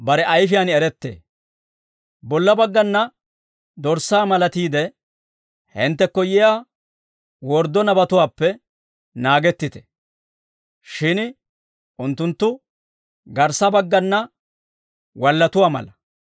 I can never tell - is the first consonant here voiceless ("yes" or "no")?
no